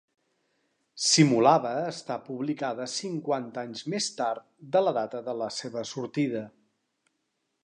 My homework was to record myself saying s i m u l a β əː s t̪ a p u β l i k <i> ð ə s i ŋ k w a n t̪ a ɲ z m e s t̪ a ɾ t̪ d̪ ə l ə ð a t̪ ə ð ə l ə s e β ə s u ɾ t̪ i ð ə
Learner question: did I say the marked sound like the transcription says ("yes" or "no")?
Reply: no